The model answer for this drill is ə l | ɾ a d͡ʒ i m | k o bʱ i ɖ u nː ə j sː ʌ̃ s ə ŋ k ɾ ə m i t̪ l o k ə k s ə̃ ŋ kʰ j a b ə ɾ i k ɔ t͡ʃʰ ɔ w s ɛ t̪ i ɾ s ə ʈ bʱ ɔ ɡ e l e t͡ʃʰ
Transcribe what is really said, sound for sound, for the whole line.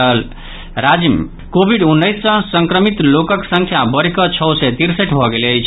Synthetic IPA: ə l | ɾ a d͡ʒ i m | k o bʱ i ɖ u nː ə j sː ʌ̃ s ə ŋ k ɾ ə m i t̪ l o k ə k s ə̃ ŋ kʰ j a b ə ɾ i k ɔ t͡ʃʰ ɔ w s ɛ t̪ i ɾ s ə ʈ bʱ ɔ ɡ e l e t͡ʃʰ